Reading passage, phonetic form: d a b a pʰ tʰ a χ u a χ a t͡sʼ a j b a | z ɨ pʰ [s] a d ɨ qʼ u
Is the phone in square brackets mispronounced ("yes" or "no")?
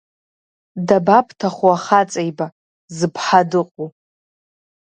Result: yes